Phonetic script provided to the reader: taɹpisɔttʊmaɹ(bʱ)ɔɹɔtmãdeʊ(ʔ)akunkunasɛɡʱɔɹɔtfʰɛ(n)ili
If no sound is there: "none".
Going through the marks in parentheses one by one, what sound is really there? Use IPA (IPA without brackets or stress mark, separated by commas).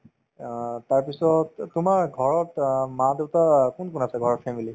ɡʱ, t, m